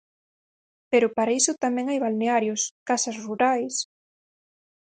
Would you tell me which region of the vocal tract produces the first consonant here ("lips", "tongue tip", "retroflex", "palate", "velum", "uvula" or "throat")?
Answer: lips